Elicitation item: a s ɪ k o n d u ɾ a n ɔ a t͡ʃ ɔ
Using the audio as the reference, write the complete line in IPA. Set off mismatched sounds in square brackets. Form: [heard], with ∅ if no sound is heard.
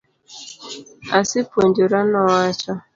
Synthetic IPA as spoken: a s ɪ [p] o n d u ɾ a n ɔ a t͡ʃ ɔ